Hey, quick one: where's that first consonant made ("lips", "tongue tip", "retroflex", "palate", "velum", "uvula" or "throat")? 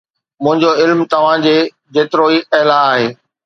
lips